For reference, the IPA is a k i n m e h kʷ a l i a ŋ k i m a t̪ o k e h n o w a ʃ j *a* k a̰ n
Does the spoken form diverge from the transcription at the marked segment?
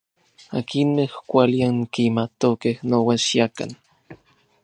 no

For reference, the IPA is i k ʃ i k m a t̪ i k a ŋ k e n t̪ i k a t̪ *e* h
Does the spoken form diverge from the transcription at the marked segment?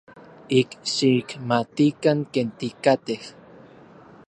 no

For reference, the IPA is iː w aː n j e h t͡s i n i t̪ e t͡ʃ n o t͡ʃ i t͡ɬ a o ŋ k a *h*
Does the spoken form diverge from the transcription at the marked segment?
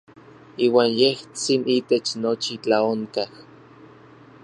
no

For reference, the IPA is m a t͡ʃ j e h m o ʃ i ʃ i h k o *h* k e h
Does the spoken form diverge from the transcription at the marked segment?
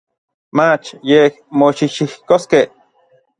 yes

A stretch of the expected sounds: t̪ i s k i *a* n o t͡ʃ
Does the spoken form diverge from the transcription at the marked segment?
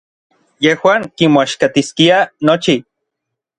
no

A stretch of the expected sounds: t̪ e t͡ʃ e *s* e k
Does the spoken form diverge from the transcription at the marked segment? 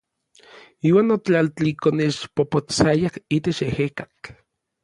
yes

